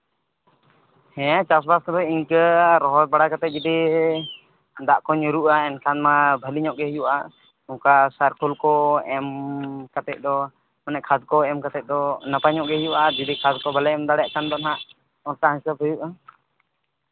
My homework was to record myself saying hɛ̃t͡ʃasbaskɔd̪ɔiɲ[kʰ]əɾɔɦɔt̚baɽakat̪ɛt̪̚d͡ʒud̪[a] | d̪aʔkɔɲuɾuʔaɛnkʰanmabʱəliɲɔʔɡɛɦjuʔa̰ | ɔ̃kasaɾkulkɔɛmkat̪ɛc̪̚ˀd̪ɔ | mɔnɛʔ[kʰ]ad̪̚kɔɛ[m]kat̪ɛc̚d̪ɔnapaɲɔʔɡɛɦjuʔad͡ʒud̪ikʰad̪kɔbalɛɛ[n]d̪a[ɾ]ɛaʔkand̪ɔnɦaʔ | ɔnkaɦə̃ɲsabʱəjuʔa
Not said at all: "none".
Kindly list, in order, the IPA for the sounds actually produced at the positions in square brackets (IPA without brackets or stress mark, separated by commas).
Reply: k, i, kʰ, m, m, ɽ